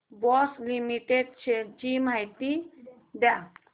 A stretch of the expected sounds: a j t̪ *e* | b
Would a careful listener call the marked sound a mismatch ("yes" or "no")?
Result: yes